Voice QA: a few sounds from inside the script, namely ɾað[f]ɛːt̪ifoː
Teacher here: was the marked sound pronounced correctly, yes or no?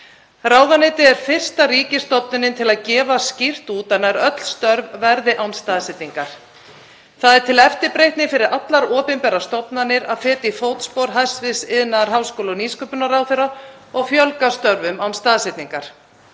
yes